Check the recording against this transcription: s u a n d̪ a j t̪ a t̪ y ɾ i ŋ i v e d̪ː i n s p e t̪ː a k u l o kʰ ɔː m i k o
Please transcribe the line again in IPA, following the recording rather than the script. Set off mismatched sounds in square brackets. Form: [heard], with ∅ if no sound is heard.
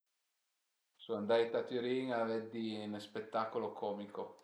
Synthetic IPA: s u a n d̪ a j t̪ a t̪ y ɾ i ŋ [a] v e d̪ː i n s p e t̪ː a k [o] l o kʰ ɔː m i k o